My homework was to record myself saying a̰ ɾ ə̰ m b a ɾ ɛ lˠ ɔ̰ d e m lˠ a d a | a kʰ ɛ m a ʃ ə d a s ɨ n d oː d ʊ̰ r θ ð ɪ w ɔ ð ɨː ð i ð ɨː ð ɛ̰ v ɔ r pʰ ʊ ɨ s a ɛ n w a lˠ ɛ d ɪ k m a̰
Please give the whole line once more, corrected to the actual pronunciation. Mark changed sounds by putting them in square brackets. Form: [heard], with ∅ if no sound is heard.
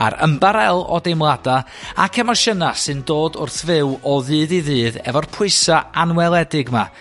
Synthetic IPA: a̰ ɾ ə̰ m b a ɾ ɛ lˠ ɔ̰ d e m lˠ a d a | a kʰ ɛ m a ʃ ə [n] a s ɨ n d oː d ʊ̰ r θ [v] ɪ w ɔ ð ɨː ð i ð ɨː ð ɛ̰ v ɔ r pʰ ʊ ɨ s a [a] n w [ɛ] lˠ ɛ d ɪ [ɡ] m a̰